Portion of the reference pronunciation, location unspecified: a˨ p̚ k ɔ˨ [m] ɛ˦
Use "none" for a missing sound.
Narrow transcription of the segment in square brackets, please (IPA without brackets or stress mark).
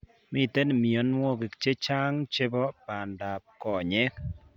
ɲ